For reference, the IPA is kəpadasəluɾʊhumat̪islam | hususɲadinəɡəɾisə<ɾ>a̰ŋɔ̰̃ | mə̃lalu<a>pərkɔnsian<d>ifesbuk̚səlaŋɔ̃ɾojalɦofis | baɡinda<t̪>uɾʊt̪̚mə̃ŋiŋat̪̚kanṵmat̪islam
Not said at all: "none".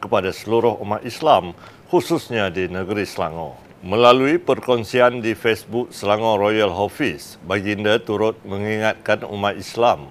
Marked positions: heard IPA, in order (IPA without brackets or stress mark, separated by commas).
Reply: l, i, d, t̪